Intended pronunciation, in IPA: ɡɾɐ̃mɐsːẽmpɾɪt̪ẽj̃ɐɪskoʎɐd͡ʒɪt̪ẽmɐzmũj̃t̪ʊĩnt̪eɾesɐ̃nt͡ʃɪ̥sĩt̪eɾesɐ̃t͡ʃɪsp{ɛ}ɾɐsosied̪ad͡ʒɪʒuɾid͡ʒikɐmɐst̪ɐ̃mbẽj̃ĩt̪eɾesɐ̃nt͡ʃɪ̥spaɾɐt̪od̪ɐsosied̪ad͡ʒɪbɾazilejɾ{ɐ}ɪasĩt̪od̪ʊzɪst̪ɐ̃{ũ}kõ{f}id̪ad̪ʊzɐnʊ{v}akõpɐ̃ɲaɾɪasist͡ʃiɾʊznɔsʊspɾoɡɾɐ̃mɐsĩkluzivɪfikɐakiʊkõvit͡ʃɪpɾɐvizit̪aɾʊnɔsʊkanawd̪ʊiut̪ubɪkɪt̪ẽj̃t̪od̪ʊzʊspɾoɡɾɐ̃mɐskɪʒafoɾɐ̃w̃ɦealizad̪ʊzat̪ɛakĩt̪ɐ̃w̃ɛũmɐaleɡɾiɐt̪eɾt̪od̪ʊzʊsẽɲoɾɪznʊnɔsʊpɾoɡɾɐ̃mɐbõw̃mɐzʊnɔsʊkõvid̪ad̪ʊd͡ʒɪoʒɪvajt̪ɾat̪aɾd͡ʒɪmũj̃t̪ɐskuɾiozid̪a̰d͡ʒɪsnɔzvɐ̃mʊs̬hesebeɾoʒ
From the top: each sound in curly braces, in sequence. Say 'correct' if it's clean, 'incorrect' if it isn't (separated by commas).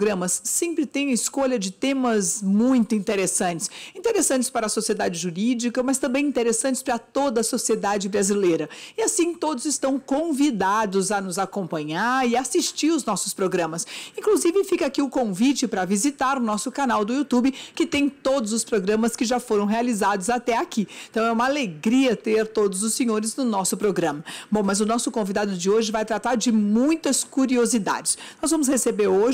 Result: incorrect, correct, incorrect, incorrect, incorrect